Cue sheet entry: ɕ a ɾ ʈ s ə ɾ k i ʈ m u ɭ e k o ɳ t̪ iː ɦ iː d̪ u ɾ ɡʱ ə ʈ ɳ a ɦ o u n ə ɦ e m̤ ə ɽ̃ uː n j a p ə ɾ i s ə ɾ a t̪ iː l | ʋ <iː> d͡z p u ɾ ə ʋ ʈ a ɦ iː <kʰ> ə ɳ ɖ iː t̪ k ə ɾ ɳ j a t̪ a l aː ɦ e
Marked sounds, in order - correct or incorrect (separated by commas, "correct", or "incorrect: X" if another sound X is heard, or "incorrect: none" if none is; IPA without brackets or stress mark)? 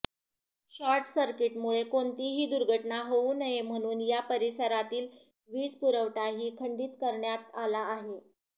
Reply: correct, correct